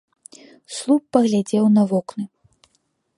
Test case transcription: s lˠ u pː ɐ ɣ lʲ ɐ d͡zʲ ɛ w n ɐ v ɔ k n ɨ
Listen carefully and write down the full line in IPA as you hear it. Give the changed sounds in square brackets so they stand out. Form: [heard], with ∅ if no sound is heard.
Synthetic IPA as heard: s lˠ u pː ɐ ɣ lʲ [a] d͡zʲ ɛ w n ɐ v ɔ k n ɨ

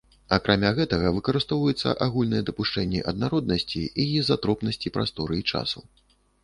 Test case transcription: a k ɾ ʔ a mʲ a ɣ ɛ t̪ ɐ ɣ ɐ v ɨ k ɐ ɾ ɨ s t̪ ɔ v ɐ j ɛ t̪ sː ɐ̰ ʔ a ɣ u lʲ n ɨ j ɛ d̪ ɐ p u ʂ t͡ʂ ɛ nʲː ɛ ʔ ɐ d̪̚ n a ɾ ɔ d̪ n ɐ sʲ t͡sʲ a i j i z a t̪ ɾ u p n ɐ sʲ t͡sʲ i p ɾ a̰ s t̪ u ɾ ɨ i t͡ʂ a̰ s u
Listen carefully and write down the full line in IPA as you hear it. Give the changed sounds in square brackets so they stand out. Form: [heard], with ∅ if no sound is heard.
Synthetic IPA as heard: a k ɾ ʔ a mʲ a ɣ ɛ t̪ ɐ ɣ ɐ v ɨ k ɐ ɾ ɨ s t̪ ɔ v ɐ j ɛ t̪ sː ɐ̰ ʔ a ɣ u lʲ n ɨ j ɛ d̪ ɐ p u ʂ t͡ʂ ɛ nʲː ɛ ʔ ɐ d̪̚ n a ɾ ɔ d̪ n ɐ sʲ t͡sʲ [i] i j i z a t̪ ɾ [ɔ] p n ɐ sʲ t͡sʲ i p ɾ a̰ s t̪ [ɔ] ɾ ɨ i t͡ʂ a̰ s u

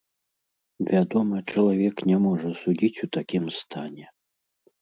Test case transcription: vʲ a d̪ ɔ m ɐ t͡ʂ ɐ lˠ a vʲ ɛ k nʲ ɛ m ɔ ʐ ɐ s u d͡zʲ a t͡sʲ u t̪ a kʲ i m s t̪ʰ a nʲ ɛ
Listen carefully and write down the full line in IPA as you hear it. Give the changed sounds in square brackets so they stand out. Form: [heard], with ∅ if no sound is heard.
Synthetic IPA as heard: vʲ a d̪ ɔ m ɐ t͡ʂ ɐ lˠ a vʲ ɛ k nʲ ɛ m ɔ ʐ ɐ s u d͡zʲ [i] t͡sʲ u t̪ a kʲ i m s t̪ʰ a nʲ ɛ

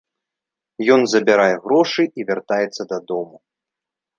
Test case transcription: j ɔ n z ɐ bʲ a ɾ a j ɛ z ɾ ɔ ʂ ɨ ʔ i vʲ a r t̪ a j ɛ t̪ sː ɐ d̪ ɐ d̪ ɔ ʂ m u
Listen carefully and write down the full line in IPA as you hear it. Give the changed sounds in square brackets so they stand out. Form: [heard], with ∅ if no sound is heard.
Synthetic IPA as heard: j ɔ n z ɐ bʲ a ɾ a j ɛ [ɣ] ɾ ɔ ʂ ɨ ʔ i vʲ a r t̪ a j ɛ t̪ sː ɐ d̪ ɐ d̪ ɔ [∅] m u

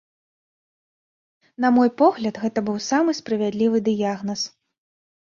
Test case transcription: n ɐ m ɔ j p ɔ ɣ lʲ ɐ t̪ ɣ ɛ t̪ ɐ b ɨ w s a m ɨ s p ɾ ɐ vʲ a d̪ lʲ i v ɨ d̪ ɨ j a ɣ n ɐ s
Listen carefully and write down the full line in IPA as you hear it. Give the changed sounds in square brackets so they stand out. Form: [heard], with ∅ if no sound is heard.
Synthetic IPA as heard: n ɐ m ɔ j p ɔ ɣ lʲ ɐ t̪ ɣ ɛ t̪ ɐ b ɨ w s a m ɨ s p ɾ ɐ vʲ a d̪ lʲ i v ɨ d̪ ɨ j a ɣ n ɐ s

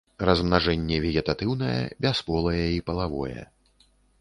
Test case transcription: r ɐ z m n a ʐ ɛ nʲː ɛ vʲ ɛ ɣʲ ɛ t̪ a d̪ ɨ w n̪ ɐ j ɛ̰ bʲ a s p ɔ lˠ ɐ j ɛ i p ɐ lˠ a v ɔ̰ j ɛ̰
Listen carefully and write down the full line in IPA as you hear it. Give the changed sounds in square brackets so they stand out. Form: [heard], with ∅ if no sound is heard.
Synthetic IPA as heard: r ɐ z m n a ʐ ɛ nʲː ɛ vʲ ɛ ɣʲ ɛ t̪ a [t̪] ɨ w n̪ ɐ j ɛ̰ bʲ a s p ɔ lˠ ɐ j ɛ i p ɐ lˠ a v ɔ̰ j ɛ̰

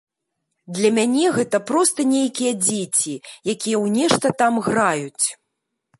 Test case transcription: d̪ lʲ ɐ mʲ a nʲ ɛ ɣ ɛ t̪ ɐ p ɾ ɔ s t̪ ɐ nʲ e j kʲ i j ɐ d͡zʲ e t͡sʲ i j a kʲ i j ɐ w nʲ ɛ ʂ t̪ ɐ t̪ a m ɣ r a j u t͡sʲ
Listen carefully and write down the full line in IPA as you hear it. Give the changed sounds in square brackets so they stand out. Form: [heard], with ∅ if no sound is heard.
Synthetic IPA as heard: d̪ lʲ ɐ mʲ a nʲ ɛ ɣ ɛ t̪ ɐ p ɾ ɔ s t̪ ɐ nʲ e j kʲ i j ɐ d͡zʲ e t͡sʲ i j a kʲ i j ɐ w nʲ ɛ ʂ t̪ ɐ t̪ a m ɣ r a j u t͡sʲ

